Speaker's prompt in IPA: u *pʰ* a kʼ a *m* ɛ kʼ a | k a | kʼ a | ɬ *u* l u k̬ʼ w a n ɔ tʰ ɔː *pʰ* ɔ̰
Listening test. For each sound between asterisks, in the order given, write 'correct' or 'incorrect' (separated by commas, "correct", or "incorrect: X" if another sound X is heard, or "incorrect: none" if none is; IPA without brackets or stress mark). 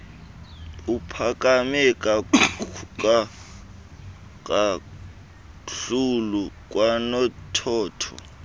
correct, correct, correct, incorrect: tʰ